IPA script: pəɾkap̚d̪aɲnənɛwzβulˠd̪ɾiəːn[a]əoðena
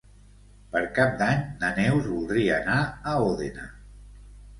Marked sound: correct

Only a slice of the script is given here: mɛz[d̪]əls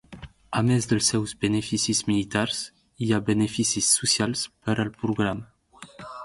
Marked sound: correct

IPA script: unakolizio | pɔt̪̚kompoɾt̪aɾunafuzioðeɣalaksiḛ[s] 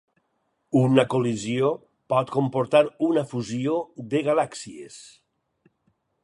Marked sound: correct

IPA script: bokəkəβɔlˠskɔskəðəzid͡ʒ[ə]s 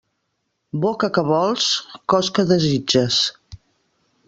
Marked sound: correct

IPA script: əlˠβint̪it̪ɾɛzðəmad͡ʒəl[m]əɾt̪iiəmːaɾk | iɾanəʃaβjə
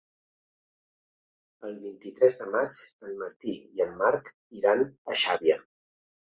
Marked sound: correct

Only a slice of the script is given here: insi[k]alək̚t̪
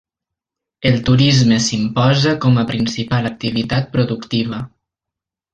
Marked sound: incorrect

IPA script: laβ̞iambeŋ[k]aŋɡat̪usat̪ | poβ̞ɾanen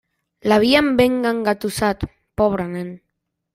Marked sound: incorrect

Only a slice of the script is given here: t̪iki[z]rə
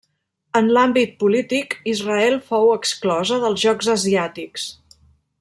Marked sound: correct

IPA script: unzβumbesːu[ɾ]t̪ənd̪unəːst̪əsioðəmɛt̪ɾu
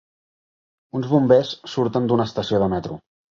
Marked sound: correct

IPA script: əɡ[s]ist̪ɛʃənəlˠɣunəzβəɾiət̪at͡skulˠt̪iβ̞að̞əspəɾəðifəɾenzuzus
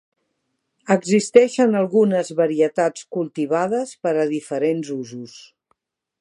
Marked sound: incorrect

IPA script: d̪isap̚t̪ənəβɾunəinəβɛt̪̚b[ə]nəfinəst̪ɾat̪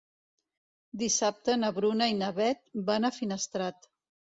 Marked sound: incorrect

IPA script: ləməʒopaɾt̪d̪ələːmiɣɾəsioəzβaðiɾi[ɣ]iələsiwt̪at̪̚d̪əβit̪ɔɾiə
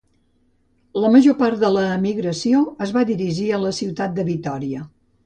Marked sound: incorrect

